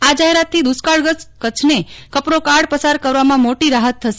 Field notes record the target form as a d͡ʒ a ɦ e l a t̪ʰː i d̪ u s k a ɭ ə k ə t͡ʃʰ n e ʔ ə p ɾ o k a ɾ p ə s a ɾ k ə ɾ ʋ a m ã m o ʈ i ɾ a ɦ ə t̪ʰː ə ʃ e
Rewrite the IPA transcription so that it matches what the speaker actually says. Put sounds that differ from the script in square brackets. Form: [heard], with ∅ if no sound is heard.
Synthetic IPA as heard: a d͡ʒ a ɦ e [ɾ] a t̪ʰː i d̪ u s k a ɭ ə k ə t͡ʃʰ n e [k] ə p ɾ o k a [ɽ] p ə s a ɾ k ə ɾ ʋ a m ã m o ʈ i ɾ a ɦ ə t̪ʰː ə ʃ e